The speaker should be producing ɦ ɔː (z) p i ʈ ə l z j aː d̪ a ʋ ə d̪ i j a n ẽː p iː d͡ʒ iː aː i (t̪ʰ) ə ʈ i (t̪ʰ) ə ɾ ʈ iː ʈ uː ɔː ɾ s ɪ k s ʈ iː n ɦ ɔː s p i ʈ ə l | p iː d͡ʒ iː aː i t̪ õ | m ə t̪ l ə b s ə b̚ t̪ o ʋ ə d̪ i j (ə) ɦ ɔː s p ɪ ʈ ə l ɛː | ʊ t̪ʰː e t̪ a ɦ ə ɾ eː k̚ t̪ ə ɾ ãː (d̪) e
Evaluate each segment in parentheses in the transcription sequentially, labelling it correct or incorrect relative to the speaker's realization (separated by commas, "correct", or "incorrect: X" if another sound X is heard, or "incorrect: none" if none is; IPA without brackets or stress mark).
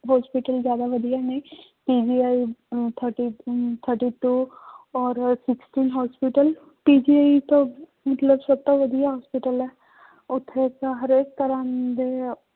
incorrect: s, correct, correct, incorrect: a, correct